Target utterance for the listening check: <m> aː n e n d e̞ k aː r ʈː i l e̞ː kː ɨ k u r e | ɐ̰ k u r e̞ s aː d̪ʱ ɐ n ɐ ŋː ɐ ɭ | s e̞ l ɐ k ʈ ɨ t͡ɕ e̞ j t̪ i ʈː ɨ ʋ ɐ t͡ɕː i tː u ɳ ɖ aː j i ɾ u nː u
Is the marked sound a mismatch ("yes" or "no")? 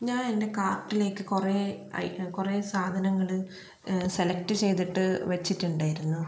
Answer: yes